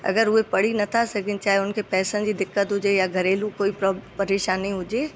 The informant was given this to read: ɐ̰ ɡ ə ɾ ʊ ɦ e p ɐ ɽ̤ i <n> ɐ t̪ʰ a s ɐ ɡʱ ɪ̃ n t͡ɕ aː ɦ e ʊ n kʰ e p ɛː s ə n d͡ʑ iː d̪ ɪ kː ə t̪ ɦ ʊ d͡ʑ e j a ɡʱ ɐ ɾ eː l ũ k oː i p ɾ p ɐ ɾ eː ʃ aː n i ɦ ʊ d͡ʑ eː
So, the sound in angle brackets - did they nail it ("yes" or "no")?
yes